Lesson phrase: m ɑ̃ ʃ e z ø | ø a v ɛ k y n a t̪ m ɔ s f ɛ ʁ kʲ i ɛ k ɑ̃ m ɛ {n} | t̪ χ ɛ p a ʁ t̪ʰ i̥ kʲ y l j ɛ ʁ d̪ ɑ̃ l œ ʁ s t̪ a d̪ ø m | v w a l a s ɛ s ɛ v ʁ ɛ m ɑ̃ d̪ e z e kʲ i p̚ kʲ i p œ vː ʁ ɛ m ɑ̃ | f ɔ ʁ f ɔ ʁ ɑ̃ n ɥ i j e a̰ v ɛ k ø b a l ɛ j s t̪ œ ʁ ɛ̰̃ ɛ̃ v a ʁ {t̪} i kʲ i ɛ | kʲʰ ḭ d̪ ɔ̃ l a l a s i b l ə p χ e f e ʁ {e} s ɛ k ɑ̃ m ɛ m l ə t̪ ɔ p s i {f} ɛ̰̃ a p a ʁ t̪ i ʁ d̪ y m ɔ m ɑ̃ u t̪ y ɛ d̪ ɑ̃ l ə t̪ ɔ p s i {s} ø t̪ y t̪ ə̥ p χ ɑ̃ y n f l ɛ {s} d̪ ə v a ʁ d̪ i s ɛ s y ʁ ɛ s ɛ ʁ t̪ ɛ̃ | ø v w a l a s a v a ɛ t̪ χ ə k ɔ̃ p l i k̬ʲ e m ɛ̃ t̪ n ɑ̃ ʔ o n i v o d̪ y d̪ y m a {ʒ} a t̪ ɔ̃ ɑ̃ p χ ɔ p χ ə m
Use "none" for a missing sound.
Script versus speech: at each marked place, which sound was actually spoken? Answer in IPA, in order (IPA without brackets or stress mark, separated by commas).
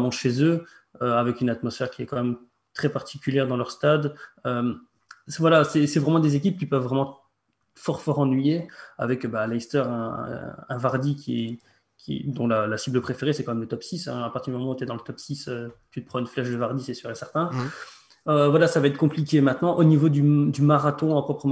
m, d̪, e, s, s, ʃ, ʁ